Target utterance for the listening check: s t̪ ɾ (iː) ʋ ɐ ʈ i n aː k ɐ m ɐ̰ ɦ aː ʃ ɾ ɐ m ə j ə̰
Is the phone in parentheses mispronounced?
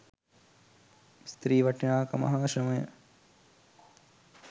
no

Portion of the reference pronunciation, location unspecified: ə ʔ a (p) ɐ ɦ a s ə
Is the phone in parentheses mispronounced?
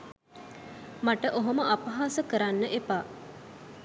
no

